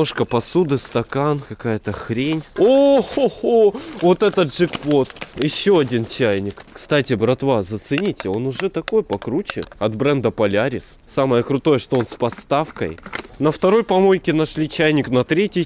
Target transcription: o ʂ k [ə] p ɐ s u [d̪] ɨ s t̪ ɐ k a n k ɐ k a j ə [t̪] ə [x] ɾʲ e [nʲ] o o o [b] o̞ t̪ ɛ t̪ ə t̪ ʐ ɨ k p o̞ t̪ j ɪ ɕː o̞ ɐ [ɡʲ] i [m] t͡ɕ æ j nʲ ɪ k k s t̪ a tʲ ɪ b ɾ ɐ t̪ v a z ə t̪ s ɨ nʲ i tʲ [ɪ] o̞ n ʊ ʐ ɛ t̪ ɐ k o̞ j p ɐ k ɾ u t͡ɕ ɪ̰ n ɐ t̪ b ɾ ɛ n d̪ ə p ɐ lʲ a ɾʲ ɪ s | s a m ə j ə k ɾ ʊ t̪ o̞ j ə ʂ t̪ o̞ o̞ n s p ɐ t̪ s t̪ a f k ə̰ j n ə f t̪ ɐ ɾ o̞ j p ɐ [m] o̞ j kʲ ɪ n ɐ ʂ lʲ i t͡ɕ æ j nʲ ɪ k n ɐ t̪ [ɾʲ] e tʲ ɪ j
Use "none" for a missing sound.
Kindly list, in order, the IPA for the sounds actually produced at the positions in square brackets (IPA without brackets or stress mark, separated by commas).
ə, d̪, t̪, x, nʲ, v, dʲ, n, ɪ, m, ɾʲ